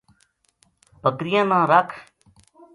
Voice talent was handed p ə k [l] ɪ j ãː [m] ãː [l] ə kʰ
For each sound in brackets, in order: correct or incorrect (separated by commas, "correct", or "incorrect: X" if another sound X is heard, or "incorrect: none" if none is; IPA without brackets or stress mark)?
incorrect: ɾ, incorrect: n, incorrect: ɾ